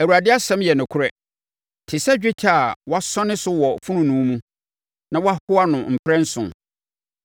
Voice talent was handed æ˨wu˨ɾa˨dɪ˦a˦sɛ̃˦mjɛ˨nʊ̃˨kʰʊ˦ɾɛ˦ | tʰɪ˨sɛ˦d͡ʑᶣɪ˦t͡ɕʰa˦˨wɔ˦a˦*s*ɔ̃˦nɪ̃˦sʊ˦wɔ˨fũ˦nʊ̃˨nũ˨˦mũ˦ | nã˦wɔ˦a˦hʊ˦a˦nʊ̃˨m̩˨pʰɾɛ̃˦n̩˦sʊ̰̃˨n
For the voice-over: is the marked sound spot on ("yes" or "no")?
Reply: yes